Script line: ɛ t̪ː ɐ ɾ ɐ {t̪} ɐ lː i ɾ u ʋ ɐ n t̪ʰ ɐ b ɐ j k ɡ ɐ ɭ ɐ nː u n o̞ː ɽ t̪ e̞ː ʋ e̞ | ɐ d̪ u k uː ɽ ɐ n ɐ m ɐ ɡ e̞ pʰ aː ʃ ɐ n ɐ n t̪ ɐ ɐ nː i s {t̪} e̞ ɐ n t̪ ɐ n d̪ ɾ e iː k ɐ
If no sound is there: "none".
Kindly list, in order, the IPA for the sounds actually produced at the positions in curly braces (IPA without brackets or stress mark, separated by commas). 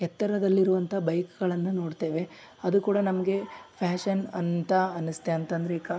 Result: d̪, t̪